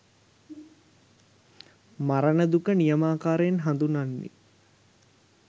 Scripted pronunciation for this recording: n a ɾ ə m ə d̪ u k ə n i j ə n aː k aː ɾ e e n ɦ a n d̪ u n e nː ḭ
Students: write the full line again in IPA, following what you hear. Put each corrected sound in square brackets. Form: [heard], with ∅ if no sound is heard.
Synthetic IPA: [m] a ɾ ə [n] ə d̪ u k ə n i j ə [m] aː k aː ɾ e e n ɦ a n d̪ u n [a] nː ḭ